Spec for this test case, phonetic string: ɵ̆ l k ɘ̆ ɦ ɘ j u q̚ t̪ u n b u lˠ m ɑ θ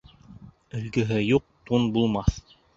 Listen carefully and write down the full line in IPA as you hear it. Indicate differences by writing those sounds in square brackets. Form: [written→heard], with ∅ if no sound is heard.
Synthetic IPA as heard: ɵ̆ l [k→ɡ] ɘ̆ ɦ ɘ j u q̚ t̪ u n b u lˠ m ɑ θ